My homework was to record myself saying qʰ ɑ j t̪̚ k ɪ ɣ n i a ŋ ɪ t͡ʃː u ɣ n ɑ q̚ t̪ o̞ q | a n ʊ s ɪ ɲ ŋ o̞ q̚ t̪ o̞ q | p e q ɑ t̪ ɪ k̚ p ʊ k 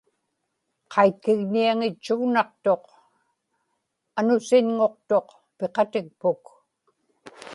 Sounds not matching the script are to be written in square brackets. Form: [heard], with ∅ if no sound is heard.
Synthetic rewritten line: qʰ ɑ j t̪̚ k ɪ ɣ n i a ŋ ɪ t͡ʃː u ɣ n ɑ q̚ t̪ o̞ q | a n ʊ s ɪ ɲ ŋ o̞ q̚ t̪ o̞ q | p e q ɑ t̪ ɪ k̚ p ʊ k